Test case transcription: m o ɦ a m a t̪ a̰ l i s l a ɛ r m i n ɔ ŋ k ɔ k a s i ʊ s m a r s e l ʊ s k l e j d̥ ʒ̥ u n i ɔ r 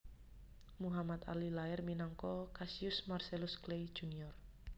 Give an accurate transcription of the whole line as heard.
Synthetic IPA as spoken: m u ɦ a m a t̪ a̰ l i l a ɛ r m i n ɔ ŋ k ɔ k a s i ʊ s m a r s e l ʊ s k l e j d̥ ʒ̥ u n i ɔ r